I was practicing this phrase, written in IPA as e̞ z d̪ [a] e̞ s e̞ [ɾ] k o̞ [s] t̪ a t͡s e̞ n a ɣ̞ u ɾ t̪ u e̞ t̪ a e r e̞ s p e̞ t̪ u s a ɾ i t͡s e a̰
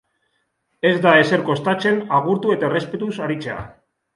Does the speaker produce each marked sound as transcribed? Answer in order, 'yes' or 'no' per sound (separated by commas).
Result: yes, yes, yes